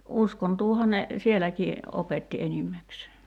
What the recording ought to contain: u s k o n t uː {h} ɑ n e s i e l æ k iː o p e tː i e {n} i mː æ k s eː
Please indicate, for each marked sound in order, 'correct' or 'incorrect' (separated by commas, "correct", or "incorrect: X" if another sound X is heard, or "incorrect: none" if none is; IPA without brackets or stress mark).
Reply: correct, correct